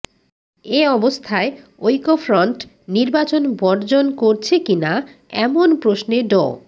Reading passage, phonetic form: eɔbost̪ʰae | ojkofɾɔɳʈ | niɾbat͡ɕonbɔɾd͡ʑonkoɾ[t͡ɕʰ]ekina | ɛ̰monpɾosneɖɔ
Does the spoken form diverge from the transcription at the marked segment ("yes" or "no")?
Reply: no